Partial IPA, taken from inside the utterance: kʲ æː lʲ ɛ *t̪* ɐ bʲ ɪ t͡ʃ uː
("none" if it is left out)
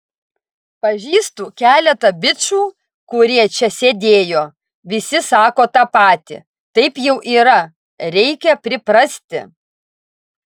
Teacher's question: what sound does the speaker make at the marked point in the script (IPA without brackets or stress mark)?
t̪